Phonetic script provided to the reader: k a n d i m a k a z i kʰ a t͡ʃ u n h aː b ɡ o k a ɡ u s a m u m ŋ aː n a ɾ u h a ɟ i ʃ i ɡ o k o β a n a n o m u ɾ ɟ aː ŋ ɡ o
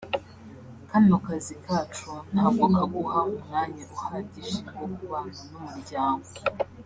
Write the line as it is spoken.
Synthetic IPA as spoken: k a n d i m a k a z i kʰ a t͡ʃ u n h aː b ɡ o k a ɡ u h a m u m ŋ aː ɲ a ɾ u h a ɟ i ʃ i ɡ o k u β a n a n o m u ɾ ɟ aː ŋ ɡ o